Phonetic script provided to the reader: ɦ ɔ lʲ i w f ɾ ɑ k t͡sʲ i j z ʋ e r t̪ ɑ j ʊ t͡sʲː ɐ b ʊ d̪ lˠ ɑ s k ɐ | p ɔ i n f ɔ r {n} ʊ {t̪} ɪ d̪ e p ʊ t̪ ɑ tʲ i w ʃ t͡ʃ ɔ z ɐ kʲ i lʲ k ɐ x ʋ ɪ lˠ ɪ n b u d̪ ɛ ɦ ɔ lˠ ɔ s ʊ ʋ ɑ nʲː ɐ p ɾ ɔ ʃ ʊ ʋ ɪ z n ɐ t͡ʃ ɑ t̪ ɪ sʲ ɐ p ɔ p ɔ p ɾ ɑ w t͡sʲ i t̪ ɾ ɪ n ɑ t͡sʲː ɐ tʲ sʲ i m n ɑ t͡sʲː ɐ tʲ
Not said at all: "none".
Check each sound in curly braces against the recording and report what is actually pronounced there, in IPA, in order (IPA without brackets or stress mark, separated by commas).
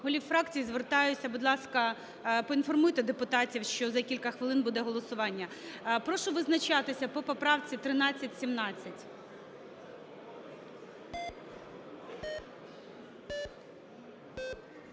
m, t̪